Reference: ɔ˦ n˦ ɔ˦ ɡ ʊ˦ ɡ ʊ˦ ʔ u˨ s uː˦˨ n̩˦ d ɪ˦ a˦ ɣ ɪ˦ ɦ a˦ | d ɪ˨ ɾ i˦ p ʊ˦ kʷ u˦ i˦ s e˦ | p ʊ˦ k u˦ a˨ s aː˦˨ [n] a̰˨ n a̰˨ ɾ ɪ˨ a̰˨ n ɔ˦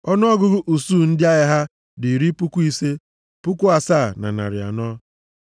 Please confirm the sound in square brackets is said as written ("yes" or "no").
yes